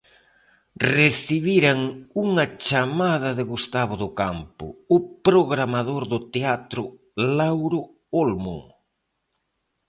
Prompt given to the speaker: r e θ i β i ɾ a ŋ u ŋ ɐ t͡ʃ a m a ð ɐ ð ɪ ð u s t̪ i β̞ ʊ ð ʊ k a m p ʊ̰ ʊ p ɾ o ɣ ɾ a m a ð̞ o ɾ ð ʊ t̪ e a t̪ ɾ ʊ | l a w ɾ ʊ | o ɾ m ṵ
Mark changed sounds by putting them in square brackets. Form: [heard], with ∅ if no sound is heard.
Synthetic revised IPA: r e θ i β i ɾ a ŋ u ŋ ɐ t͡ʃ a m a ð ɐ ð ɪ [ɣ] u s t̪ [a] β̞ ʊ ð ʊ k a m p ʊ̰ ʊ p ɾ o ɣ ɾ a m a ð̞ o ɾ ð ʊ t̪ e a t̪ ɾ ʊ | l a w ɾ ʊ | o [l] m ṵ